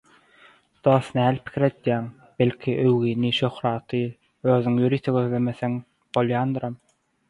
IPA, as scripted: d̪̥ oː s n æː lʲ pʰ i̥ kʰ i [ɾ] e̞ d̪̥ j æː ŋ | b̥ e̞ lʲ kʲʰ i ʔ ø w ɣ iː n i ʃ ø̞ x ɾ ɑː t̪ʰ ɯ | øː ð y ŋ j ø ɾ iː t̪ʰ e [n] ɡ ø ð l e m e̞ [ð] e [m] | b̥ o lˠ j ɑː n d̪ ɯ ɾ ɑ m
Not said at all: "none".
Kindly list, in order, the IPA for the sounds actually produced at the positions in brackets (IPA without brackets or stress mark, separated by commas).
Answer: ɾ, none, θ, ŋ